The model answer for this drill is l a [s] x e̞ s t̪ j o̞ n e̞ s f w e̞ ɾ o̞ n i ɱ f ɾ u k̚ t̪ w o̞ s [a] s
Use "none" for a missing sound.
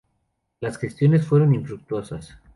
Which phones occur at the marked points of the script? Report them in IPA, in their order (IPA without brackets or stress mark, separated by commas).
s, a